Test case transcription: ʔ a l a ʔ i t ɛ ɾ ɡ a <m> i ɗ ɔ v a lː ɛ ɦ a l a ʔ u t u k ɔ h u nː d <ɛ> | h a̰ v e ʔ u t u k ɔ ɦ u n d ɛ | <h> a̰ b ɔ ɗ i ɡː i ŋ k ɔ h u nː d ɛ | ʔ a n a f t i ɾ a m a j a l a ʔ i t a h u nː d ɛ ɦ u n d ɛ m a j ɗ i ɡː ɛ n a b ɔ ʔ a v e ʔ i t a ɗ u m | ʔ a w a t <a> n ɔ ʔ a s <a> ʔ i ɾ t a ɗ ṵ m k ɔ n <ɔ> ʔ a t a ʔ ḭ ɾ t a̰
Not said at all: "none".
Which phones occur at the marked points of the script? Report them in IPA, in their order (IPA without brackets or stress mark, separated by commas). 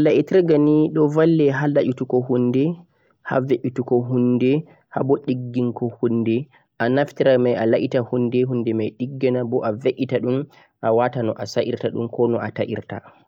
n, ɛ, h, a, a, ɔ